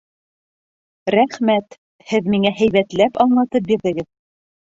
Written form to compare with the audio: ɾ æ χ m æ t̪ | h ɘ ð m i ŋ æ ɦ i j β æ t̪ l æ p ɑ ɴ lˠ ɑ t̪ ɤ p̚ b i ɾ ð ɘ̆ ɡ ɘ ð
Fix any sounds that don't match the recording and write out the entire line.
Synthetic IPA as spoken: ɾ æ χ m æ t̪ | h ɘ ð m i ŋ æ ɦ æ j β æ t̪ l æ p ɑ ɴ lˠ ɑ t̪ ɤ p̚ b i ɾ ð ɘ̆ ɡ ɘ ð